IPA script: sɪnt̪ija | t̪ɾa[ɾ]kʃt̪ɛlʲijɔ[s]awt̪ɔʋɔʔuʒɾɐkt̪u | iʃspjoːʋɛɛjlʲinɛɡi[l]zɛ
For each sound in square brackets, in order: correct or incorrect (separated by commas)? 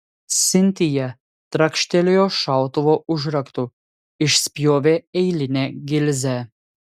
incorrect, incorrect, correct